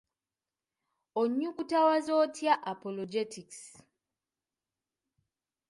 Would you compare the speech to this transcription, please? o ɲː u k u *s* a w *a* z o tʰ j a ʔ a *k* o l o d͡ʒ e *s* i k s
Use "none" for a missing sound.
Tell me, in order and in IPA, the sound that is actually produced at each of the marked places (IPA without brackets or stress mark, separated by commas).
t, a, p, t